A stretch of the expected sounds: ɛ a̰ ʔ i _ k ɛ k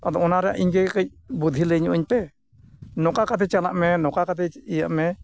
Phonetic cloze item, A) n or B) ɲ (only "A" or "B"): B